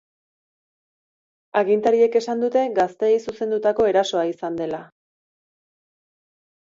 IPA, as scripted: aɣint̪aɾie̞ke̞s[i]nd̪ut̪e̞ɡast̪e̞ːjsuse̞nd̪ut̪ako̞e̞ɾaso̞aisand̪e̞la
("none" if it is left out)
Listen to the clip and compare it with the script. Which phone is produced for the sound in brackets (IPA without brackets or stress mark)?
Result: a